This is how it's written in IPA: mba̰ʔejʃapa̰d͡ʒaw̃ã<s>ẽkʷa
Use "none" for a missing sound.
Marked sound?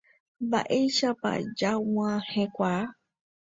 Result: h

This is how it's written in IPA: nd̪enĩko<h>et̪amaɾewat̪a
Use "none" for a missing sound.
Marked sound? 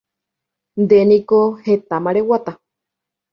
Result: h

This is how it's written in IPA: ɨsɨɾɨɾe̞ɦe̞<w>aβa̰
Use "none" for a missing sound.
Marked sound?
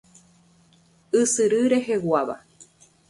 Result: w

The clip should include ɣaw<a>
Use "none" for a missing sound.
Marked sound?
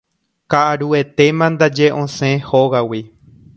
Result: i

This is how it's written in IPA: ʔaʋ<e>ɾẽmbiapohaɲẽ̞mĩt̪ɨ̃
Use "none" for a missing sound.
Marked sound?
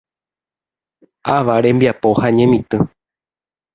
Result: a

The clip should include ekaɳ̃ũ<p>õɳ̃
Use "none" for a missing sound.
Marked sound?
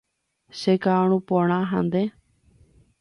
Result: p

